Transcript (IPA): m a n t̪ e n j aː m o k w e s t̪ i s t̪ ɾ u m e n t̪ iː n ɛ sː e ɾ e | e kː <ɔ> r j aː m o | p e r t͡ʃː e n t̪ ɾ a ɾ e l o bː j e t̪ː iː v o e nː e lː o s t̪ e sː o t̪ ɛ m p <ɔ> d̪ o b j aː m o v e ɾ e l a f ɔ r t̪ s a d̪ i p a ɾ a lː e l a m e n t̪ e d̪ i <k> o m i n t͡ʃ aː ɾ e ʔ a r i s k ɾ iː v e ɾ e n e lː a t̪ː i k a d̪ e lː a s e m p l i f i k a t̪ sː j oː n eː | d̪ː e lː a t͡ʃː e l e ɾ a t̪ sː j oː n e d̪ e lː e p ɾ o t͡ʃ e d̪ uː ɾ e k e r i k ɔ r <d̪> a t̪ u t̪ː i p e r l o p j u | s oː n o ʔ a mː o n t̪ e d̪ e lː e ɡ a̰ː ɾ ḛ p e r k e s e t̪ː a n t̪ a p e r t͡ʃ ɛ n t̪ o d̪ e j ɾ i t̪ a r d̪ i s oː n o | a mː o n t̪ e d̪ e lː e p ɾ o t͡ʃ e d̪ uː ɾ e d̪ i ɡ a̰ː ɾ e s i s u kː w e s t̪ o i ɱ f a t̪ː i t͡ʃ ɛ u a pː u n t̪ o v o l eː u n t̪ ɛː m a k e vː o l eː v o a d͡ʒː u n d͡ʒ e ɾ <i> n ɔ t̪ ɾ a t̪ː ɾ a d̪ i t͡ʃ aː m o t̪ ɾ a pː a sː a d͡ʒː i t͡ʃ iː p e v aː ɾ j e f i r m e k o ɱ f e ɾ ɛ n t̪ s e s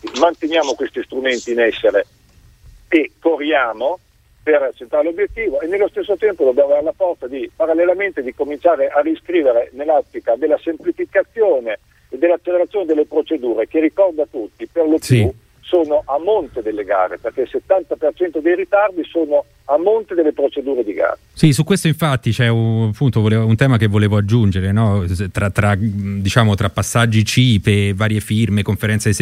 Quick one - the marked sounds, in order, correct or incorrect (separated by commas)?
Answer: incorrect, incorrect, correct, correct, incorrect